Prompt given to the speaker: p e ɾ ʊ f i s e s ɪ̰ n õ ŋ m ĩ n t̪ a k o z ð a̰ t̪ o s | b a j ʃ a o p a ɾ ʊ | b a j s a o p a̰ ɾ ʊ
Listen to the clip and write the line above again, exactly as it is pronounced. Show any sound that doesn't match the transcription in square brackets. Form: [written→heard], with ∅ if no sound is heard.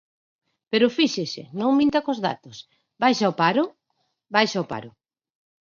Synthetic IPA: p e ɾ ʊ f i [s→ʃ] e s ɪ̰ n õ ŋ m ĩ n t̪ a k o z ð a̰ t̪ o s | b a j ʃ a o p a ɾ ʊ | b a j [s→ʃ] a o p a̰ ɾ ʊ